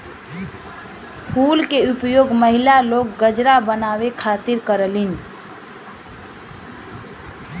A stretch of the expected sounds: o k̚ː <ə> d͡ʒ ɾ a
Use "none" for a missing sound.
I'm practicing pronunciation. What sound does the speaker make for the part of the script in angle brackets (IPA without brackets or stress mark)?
ə